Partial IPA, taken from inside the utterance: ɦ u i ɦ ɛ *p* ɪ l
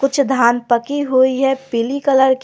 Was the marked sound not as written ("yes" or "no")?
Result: no